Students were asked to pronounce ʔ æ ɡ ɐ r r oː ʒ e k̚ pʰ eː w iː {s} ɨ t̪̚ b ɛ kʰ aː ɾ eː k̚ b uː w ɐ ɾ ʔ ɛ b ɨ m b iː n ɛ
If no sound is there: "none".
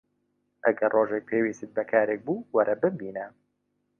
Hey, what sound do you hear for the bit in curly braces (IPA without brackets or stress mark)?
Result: s